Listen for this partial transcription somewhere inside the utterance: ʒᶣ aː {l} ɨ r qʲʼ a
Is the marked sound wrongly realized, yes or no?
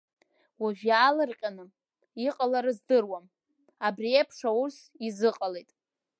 no